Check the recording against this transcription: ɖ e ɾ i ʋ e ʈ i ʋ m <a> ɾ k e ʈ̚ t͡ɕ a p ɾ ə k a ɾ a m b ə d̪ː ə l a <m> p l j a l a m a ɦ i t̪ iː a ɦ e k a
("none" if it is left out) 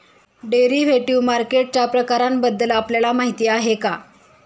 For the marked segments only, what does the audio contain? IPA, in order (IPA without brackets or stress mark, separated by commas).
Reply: a, none